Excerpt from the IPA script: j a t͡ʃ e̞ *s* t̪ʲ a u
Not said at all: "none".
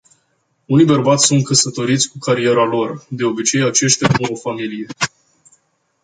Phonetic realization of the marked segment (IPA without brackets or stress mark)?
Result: ʃ